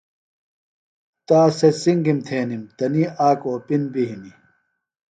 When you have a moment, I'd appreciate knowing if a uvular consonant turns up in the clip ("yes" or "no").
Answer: no